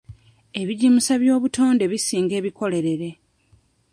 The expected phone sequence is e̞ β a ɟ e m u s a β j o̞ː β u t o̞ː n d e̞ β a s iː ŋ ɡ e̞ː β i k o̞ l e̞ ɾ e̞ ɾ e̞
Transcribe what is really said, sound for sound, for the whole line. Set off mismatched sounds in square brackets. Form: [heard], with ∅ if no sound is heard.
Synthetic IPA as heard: e̞ β [i] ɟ [i] m u s a β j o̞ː β u t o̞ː n d e̞ β [i] s iː ŋ ɡ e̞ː β i k o̞ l e̞ ɾ e̞ ɾ e̞